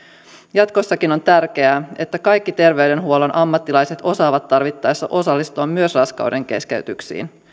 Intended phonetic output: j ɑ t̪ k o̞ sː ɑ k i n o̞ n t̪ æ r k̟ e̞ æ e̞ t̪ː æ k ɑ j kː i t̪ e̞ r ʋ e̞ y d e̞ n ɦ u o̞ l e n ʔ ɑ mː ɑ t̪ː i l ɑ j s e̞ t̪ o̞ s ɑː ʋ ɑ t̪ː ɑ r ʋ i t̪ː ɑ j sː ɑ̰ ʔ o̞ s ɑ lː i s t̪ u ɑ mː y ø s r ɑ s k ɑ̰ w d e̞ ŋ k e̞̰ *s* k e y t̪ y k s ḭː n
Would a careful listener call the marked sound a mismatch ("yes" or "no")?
no